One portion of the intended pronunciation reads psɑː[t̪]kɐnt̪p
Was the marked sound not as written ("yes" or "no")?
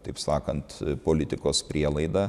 yes